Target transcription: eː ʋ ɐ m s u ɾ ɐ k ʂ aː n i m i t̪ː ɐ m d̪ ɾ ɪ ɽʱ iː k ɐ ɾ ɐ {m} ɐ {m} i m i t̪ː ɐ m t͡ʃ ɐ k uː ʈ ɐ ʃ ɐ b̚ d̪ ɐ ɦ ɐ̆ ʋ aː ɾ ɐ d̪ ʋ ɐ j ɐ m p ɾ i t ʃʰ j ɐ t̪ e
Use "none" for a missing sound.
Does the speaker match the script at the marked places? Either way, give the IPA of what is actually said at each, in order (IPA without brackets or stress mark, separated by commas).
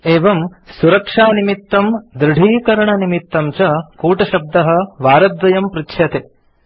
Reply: ɳ, n